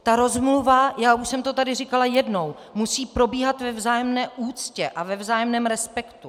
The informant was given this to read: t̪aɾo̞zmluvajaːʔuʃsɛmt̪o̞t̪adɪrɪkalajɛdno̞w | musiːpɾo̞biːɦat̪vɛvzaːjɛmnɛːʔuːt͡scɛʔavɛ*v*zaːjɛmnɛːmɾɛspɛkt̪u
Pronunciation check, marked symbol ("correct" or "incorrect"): correct